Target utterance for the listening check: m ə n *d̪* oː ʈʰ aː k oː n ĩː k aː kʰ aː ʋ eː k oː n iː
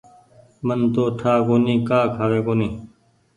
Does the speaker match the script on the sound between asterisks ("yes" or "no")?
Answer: no